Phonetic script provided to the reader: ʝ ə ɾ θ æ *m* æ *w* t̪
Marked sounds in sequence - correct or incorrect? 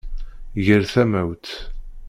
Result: correct, correct

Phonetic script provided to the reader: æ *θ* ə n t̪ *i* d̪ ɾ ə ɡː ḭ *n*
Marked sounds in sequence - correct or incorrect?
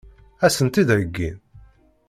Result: incorrect: s, correct, correct

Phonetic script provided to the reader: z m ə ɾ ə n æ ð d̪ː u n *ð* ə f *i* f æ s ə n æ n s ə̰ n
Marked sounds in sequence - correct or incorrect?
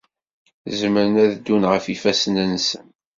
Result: incorrect: ʁ, correct

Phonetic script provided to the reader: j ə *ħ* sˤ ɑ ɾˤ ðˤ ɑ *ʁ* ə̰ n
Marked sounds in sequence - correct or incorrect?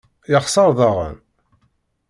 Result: incorrect: χ, correct

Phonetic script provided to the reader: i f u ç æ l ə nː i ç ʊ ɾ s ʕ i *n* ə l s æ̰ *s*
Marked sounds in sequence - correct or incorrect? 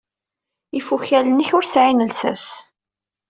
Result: correct, correct

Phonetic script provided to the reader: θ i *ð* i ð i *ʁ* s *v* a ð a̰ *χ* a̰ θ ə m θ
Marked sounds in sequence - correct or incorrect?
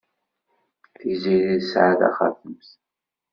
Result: incorrect: z, incorrect: ð, incorrect: ʕ, correct

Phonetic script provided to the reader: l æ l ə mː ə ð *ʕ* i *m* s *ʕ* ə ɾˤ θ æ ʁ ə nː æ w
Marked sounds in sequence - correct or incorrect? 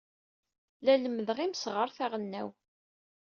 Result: incorrect: ʁ, correct, incorrect: ʁ

